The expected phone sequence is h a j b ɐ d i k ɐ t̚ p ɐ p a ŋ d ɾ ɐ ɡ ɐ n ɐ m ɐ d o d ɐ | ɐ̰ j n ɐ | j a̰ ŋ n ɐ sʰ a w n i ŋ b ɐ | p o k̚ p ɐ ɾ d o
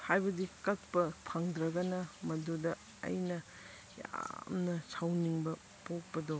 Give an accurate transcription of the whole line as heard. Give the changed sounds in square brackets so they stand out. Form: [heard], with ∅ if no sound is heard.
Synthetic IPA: h a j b ɐ d i k ɐ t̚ p ɐ [pʰ] a ŋ d ɾ ɐ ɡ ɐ n ɐ m ɐ d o d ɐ | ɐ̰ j n ɐ | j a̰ [m] n ɐ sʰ a w n i ŋ b ɐ | p o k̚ p ɐ [∅] d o